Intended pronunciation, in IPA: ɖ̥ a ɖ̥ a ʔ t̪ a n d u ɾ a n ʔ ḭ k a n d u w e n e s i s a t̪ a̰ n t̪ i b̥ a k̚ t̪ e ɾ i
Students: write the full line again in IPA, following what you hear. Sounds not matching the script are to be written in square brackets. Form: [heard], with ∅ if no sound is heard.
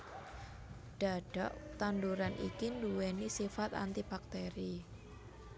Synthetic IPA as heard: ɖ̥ a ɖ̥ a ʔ t̪ a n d u ɾ a n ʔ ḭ k [i] n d u w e n [i] s i [f] a t̪ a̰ n t̪ i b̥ a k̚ t̪ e ɾ i